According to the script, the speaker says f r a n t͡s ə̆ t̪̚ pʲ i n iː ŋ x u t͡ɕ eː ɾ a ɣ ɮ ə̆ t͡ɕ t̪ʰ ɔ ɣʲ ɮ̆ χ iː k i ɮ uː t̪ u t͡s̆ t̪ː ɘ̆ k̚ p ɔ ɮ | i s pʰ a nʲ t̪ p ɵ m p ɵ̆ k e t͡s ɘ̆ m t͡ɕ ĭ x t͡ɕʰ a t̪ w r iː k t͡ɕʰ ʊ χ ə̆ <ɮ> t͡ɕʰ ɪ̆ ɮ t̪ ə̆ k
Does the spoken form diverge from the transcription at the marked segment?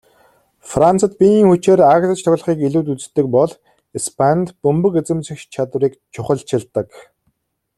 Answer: no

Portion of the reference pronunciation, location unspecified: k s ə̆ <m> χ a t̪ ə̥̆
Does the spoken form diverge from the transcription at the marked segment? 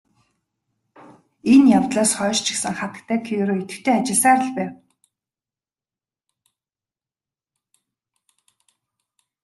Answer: yes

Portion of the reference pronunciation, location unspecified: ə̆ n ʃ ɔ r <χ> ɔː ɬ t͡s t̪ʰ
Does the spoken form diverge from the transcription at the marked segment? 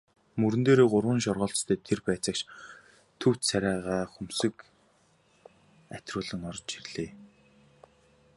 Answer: yes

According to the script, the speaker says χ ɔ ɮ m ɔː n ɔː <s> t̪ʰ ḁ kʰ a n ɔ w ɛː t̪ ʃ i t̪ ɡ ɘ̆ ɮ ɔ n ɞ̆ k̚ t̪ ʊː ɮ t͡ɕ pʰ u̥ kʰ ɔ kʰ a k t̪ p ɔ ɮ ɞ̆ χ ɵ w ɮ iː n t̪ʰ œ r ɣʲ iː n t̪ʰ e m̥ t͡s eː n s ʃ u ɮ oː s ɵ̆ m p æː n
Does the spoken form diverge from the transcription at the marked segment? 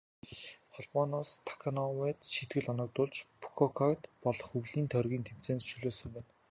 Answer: no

